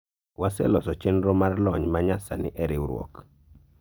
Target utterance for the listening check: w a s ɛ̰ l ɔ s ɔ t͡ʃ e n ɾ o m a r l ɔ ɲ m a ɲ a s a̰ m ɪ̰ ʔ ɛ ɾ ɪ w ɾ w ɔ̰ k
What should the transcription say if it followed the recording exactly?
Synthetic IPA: w a s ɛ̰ l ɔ s ɔ t͡ʃ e n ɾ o m a r l ɔ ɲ m a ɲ a s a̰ n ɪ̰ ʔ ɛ ɾ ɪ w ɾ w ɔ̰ k